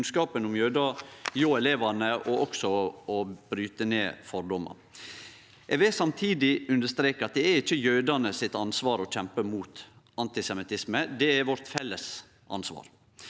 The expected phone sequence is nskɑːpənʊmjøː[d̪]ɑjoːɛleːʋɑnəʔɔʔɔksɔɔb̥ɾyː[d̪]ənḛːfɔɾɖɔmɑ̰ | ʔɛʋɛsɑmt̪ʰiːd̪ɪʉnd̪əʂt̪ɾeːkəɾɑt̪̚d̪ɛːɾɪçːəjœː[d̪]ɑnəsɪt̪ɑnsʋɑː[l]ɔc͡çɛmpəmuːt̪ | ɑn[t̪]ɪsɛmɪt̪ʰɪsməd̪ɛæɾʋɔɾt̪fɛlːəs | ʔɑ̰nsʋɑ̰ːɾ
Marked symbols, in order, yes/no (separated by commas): yes, no, yes, no, yes